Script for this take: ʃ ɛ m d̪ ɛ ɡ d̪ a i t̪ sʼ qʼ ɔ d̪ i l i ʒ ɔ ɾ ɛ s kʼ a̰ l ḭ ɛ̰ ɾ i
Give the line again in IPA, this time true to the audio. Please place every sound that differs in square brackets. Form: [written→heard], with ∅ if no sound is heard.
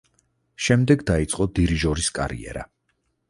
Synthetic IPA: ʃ ɛ m d̪ ɛ ɡ d̪ a i t̪ sʼ qʼ ɔ d̪ i [l→ɾ] i ʒ ɔ ɾ [ɛ→i] s kʼ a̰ [l→ɾ] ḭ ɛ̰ ɾ [i→a]